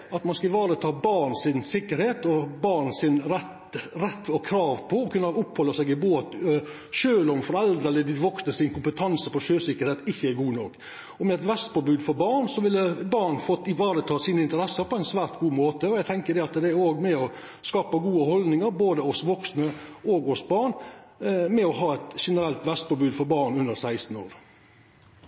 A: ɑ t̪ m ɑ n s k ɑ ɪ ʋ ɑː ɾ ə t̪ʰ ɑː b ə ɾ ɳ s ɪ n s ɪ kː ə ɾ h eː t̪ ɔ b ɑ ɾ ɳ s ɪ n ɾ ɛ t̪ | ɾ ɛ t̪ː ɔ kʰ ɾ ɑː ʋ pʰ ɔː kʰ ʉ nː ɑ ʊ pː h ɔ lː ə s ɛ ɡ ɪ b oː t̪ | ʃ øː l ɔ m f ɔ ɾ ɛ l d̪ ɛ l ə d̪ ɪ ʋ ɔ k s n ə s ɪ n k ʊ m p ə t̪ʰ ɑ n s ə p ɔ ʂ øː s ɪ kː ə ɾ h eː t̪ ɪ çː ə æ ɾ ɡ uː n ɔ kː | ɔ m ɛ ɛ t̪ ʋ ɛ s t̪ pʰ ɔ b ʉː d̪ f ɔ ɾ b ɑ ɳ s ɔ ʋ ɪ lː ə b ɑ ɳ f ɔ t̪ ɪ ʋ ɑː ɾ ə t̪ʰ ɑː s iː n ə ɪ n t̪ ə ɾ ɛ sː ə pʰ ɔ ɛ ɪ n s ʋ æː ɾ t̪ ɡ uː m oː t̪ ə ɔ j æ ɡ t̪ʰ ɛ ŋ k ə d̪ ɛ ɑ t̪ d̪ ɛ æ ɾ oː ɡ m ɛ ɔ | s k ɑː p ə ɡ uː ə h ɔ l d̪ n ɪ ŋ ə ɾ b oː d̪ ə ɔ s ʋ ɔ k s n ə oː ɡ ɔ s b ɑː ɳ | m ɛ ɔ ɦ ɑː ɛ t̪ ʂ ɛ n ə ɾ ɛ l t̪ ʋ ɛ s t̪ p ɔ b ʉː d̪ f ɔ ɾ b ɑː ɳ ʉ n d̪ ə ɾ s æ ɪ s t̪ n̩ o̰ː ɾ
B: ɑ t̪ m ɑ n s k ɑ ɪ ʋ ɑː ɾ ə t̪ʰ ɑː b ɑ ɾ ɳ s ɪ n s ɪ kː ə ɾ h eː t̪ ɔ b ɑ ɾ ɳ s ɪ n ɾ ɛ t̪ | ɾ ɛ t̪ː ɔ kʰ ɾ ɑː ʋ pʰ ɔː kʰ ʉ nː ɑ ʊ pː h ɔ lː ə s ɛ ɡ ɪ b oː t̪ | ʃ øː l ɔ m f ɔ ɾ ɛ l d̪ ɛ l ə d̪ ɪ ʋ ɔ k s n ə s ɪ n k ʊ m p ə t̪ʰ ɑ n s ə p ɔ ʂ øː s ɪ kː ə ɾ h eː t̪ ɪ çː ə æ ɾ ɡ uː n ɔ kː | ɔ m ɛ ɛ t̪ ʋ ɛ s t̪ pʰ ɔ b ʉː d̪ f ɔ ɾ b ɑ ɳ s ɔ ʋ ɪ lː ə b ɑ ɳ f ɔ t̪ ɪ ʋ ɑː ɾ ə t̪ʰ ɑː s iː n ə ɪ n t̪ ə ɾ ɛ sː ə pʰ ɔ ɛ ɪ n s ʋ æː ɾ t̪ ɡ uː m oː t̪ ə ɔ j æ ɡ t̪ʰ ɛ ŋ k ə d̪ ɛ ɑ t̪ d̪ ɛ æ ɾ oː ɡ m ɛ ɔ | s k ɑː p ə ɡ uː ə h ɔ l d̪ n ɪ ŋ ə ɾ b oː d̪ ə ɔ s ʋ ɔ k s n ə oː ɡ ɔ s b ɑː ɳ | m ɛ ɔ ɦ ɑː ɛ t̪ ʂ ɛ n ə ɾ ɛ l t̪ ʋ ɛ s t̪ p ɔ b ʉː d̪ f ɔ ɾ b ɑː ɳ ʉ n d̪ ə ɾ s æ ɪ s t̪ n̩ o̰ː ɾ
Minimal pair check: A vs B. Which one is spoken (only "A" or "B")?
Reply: B